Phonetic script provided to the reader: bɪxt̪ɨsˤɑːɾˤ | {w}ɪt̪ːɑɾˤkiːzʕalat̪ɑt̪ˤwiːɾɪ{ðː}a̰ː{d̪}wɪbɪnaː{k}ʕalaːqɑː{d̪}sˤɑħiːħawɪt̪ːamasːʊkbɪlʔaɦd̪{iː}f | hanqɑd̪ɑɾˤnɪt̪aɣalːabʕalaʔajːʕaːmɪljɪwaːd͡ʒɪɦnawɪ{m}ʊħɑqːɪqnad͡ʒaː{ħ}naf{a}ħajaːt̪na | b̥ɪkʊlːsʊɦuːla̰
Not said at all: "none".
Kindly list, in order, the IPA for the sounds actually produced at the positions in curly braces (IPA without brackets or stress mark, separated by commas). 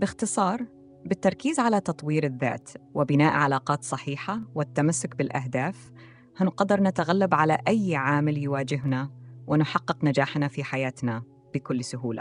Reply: b, ðː, t̪, ʔ, t̪, aː, n, ħ, i